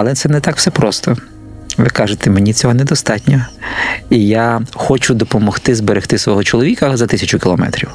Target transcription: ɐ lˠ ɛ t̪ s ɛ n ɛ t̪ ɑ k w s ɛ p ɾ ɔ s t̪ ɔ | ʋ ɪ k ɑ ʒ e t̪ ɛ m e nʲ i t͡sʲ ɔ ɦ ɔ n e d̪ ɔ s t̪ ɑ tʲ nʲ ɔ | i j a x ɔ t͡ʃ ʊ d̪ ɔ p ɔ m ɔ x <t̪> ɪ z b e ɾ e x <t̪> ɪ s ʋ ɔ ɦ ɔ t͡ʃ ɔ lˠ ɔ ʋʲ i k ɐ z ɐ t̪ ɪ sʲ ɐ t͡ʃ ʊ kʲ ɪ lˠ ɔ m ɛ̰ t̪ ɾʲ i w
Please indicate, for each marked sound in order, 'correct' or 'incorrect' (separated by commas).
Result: correct, correct